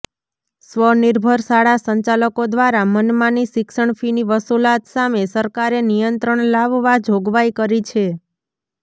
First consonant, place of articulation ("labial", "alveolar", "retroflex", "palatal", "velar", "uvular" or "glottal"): alveolar